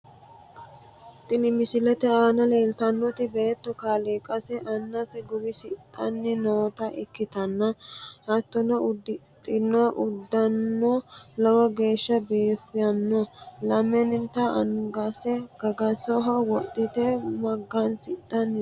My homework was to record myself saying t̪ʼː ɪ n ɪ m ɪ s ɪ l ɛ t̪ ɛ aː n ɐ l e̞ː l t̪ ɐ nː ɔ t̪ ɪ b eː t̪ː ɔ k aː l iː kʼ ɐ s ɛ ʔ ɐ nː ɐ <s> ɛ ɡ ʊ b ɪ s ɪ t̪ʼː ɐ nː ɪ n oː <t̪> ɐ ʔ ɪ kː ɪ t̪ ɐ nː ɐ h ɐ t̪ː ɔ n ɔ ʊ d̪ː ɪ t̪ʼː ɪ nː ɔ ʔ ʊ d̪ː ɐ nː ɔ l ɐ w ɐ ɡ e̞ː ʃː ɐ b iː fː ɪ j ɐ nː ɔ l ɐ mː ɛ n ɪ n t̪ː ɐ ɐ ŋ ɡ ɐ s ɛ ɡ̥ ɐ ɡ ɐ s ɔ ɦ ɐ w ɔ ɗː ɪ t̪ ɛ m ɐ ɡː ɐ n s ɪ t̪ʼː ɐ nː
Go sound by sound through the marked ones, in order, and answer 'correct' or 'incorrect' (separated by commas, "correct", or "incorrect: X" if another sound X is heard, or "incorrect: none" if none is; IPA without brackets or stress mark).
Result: correct, correct